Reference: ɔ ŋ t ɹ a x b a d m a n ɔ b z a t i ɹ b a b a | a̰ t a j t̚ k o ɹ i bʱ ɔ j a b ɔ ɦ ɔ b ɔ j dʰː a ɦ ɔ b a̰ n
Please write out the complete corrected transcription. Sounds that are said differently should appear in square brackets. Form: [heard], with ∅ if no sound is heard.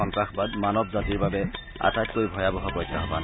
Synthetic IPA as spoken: ɔ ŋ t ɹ a x b a d m a n ɔ b z a t i ɹ b a b [ɛ] | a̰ t a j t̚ k o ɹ i bʱ ɔ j a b ɔ ɦ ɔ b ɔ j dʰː a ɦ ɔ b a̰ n

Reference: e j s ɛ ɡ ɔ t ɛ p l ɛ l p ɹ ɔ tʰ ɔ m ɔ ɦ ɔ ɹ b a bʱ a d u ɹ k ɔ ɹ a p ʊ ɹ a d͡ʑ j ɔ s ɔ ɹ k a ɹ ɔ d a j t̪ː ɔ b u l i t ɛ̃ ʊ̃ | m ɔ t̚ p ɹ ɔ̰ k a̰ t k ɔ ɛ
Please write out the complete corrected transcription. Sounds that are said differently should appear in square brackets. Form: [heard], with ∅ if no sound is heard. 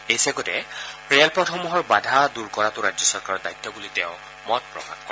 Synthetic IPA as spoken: e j s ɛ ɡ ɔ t ɛ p [ɹ] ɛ l p ɹ ɔ tʰ ɔ m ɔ ɦ ɔ ɹ b a [dʱ] a d u ɹ k ɔ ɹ a [t] ʊ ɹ a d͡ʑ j ɔ s ɔ ɹ k a ɹ ɔ d a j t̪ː ɔ b u l i t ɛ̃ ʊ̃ | m ɔ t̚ p ɹ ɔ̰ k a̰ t k ɔ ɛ

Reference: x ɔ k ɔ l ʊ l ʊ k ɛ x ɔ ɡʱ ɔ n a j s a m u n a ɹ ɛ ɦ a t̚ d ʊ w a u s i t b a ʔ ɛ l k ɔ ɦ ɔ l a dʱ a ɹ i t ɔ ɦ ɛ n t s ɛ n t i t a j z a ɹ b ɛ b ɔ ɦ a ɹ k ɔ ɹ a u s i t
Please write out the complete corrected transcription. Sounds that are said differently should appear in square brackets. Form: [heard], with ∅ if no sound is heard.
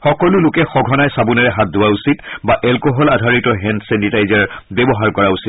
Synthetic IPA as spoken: x ɔ k ɔ l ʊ l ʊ k ɛ x ɔ ɡʱ ɔ n a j s a [b] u n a ɹ ɛ ɦ a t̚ d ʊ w a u s i t b a ʔ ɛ l k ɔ ɦ ɔ l a dʱ a ɹ i t ɔ ɦ ɛ n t s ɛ n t i t a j z a ɹ b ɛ b ɔ ɦ a ɹ k ɔ ɹ a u s i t

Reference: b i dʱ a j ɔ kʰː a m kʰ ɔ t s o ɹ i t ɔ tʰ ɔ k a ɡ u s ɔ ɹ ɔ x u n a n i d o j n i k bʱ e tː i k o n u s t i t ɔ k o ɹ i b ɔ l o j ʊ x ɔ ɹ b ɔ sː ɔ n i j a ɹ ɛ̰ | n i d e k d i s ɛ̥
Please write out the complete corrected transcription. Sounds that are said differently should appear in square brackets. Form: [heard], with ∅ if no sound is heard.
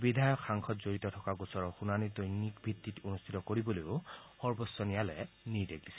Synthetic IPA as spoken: b i dʱ a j ɔ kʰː a [ŋ] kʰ ɔ t [z] o ɹ i t ɔ tʰ ɔ k a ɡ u s ɔ ɹ ɔ x u n a n i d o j n i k bʱ [i] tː i [t] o n u s [tʰ] i t ɔ k o ɹ i b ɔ l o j ʊ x ɔ ɹ b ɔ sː ɔ n i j a [l] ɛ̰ | n i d e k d i s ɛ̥

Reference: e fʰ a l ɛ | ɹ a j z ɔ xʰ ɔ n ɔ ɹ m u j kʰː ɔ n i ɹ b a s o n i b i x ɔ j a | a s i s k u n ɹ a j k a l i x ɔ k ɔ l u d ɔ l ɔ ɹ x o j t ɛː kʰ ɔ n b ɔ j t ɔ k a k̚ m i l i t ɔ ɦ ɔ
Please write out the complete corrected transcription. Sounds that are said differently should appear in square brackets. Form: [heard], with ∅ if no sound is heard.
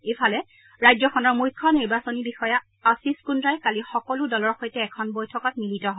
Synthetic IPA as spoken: e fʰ a l ɛ | ɹ a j z ɔ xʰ ɔ n ɔ ɹ m u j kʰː ɔ n i ɹ b a s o n i b i x ɔ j a | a s i s k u n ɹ a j k a l i x ɔ k ɔ l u d ɔ l ɔ ɹ x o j t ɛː kʰ ɔ n b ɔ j [tʰ] ɔ k a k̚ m i l i t ɔ ɦ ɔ

